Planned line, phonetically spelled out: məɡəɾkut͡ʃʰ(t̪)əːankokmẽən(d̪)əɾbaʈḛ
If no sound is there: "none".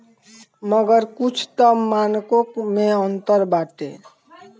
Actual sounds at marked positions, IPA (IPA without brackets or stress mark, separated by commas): t̪, t̪